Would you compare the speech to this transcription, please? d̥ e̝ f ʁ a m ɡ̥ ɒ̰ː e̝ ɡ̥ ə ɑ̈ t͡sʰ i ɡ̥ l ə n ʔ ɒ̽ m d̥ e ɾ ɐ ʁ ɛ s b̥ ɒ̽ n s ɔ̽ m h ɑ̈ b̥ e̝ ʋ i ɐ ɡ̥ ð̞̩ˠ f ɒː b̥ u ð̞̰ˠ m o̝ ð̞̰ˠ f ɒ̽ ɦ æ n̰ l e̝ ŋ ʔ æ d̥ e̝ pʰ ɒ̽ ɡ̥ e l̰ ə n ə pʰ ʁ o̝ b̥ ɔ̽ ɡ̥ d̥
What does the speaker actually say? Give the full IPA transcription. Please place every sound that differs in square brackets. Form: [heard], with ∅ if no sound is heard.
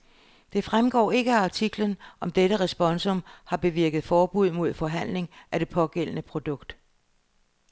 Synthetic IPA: d̥ e̝ f ʁ a m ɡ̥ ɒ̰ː e̝ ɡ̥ ə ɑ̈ t͡sʰ i ɡ̥ l ə n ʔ ɒ̽ m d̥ e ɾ [ə] ʁ ɛ s b̥ ɒ̽ n s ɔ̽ m h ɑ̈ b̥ e̝ ʋ i ɐ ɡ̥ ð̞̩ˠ f ɒː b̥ u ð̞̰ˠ m o̝ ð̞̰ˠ f ɒ̽ ɦ æ n̰ l e̝ ŋ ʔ æ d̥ e̝ pʰ ɒ̽ ɡ̥ e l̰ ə n ə pʰ ʁ o̝ [d̥] ɔ̽ ɡ̥ d̥